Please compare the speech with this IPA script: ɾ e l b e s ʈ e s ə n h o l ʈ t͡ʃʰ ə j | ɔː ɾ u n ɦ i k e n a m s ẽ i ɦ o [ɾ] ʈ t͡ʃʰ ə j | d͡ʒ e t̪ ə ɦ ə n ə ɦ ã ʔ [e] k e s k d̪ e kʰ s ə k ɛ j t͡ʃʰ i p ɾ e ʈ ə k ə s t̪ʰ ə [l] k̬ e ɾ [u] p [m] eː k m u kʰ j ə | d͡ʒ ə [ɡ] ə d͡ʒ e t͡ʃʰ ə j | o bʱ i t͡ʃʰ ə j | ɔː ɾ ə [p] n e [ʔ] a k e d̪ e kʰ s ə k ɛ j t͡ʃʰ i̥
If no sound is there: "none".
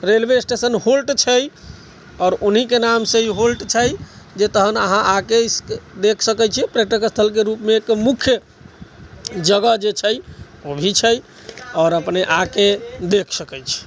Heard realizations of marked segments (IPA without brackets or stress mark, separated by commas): l, a, l, u, m, ɡ, p, ʔ